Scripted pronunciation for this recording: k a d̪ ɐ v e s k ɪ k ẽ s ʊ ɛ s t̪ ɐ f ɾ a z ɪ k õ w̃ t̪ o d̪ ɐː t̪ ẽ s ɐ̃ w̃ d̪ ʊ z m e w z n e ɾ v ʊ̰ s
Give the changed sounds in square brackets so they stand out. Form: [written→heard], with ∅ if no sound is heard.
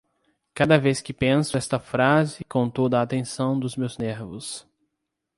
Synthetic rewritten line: k a d̪ ɐ v e s k ɪ [k→p] ẽ s ʊ ɛ s t̪ ɐ f ɾ a z ɪ k õ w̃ t̪ o d̪ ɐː t̪ ẽ s ɐ̃ w̃ d̪ ʊ z m e w z n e ɾ v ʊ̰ s